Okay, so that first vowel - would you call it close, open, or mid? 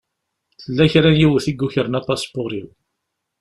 mid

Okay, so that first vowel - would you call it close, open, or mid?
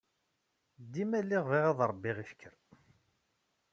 close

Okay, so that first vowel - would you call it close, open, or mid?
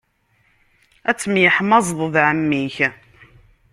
open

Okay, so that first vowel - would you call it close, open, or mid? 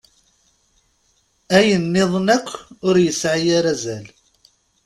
open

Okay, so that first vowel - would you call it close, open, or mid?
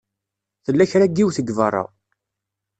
mid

